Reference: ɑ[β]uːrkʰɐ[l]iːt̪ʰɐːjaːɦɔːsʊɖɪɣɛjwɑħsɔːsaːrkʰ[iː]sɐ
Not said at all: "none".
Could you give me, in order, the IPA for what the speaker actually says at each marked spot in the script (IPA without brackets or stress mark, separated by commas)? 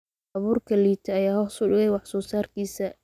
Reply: β, l, iː